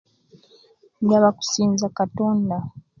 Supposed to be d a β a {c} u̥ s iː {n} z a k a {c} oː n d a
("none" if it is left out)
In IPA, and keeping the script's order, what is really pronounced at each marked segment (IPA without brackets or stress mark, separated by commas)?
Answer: k, n, t